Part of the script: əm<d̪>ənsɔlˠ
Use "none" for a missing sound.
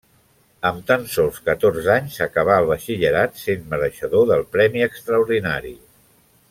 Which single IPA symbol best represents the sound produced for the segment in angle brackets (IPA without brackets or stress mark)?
t̪